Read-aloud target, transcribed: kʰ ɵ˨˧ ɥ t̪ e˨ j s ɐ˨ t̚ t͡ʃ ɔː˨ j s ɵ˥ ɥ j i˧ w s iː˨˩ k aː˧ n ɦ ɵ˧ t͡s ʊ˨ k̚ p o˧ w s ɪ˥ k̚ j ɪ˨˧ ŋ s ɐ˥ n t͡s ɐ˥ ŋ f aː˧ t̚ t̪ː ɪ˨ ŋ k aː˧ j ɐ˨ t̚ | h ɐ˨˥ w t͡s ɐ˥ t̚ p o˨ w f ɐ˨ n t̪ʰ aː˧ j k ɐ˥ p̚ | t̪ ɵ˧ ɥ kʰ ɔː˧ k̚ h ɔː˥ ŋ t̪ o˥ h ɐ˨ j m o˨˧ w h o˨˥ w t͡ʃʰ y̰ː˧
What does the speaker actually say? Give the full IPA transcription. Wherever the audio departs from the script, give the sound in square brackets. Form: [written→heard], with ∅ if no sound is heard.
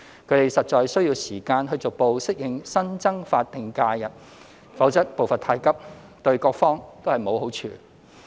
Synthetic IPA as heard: kʰ ɵ˨˧ ɥ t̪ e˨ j s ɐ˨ t̚ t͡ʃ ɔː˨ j s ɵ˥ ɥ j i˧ w s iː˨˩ k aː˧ n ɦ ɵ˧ t͡s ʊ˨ k̚ p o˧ w s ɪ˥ k̚ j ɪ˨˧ ŋ s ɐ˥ n t͡s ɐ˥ ŋ f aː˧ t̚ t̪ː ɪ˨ ŋ k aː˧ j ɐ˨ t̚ | [h→f] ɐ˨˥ w t͡s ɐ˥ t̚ p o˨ w f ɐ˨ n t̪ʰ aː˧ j k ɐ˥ p̚ | t̪ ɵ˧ ɥ [kʰ→k] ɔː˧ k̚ [h→f] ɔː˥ ŋ t̪ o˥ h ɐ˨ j m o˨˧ w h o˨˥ w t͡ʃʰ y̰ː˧